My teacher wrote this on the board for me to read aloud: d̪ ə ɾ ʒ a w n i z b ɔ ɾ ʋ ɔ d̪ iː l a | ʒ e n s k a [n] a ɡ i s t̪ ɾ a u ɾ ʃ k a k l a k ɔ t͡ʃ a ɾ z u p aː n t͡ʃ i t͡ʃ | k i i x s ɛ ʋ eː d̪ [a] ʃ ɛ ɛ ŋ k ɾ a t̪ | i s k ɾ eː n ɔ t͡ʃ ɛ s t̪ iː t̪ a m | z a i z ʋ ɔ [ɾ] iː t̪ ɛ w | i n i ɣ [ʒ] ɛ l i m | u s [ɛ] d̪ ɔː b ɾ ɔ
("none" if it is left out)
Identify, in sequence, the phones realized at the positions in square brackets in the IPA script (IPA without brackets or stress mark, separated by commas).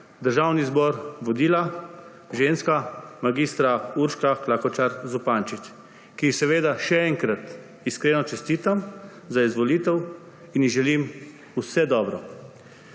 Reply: m, a, l, ʒ, ɛ